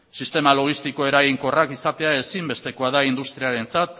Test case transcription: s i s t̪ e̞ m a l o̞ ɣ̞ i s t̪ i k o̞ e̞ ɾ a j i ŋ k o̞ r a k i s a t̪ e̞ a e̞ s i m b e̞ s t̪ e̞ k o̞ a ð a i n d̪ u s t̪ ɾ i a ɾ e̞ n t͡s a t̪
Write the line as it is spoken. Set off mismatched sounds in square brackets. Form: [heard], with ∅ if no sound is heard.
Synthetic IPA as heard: s i s t̪ e̞ m a l o̞ ɣ̞ i s t̪ i k o̞ e̞ ɾ a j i ŋ k o̞ r a k i s a t̪ e̞ a e̞ s i m b e̞ s t̪ e̞ k o̞ a ð a i n d̪ u s t̪ ɾ i a ɾ e̞ n t͡s a t̪